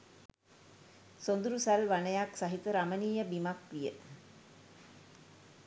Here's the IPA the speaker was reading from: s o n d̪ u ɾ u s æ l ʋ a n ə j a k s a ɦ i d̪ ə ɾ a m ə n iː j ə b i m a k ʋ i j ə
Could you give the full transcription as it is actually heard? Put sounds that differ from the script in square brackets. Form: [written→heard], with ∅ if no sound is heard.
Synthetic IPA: s o n d̪ u ɾ u s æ l ʋ a n ə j a k s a ɦ i [d̪→t̪] ə ɾ a m ə n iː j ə b i m a k ʋ i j ə